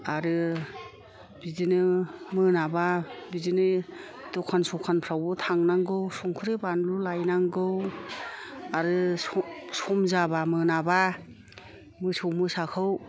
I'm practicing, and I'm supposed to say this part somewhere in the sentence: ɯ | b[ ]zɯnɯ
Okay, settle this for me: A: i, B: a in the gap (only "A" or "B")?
A